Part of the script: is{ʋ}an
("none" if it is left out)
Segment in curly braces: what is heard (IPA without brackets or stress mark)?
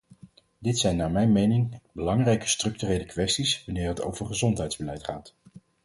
ʋ